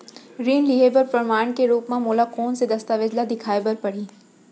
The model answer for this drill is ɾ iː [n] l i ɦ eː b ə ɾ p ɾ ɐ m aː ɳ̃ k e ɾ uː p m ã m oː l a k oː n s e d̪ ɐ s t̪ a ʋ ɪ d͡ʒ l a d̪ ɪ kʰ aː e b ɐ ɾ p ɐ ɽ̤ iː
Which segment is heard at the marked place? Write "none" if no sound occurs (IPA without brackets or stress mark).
n